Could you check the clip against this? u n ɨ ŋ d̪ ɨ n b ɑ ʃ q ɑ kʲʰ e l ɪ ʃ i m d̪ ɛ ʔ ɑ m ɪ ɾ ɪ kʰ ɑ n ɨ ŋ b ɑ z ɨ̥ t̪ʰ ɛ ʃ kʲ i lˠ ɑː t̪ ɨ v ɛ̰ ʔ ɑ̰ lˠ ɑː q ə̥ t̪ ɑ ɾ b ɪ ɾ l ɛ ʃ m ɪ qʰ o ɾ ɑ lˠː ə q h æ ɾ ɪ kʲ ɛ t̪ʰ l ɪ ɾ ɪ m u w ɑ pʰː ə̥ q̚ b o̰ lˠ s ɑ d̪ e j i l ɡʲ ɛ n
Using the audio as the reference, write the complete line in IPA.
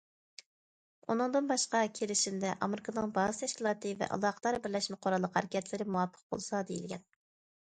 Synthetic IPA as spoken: u n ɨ ŋ d̪ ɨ n b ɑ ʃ q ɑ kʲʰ e l ɪ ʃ i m d̪ ɛ ʔ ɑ m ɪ ɾ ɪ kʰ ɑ n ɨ ŋ b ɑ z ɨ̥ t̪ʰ ɛ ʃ kʲ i lˠ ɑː t̪ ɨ v ɛ̰ ʔ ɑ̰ lˠ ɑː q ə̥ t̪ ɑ ɾ b ɪ ɾ l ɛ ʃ m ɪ qʰ o ɾ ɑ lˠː ə q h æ ɾ ɪ kʲ ɛ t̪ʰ l ɪ ɾ ɪ m u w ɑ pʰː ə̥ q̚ b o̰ lˠ s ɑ d̪ e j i l ɡʲ ɛ n